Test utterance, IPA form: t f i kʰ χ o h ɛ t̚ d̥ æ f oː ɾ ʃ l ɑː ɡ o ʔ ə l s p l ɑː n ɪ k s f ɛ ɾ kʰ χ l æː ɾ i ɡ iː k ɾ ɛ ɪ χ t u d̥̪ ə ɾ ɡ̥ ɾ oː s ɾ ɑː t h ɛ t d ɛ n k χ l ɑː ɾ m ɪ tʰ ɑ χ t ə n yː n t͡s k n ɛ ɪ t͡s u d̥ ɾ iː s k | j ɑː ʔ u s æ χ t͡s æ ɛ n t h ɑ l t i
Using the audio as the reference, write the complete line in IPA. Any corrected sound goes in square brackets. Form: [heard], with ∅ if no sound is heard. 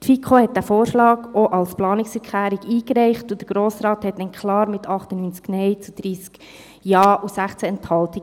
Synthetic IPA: t f i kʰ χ o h ɛ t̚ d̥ æ f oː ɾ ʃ l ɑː ɡ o ʔ [ɑ] l s p l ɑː n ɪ k s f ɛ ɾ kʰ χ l æː ɾ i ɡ iː k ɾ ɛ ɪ χ t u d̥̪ ə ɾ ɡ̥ ɾ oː s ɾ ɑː t h ɛ t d ɛ n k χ l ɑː ɾ m ɪ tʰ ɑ χ t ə n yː n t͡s k n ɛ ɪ t͡s u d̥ ɾ iː s k | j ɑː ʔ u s æ χ t͡s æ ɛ n t h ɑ l t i